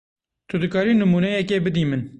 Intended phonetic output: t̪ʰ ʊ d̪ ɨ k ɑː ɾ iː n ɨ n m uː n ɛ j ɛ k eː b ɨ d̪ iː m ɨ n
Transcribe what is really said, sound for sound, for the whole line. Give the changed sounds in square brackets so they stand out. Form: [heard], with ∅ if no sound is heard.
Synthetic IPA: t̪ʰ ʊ d̪ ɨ k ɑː ɾ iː n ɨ [∅] m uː n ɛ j ɛ k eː b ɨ d̪ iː m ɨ n